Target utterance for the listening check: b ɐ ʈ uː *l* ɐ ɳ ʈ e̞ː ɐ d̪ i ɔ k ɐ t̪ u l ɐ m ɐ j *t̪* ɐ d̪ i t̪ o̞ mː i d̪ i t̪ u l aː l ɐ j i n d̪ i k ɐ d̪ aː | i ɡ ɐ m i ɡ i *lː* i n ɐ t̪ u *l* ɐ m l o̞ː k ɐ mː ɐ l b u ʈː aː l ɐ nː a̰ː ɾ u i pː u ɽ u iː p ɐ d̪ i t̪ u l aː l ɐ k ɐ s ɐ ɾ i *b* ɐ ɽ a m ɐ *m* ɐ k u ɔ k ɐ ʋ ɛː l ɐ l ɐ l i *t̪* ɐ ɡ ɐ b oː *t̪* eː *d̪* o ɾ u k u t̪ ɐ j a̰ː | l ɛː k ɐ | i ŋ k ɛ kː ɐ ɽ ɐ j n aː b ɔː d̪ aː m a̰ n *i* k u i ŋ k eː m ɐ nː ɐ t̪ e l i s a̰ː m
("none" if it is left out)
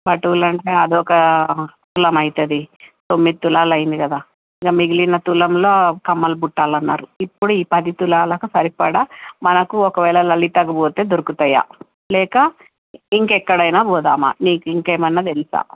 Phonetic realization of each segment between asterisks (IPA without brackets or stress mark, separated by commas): l, t̪, l, l, p, n, t̪, t̪, d̪, iː